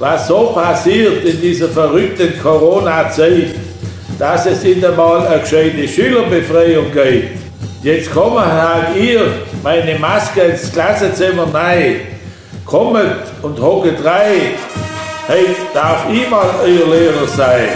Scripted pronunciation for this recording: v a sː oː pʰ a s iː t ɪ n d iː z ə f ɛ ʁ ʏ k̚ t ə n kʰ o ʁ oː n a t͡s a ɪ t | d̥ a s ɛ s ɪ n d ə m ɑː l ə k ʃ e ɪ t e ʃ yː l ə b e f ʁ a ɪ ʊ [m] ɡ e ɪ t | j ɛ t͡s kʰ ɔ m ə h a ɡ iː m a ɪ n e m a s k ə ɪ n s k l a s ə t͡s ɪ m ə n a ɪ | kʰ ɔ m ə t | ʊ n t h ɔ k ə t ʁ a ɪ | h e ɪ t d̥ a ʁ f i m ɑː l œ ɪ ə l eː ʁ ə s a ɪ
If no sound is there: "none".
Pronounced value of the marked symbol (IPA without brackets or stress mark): ŋ